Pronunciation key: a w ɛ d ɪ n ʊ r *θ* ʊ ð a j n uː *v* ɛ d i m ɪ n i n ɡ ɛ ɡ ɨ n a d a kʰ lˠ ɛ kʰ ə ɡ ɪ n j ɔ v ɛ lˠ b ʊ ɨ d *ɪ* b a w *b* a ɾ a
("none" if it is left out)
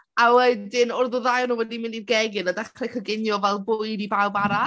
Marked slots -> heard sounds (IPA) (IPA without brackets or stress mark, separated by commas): ð, w, i, b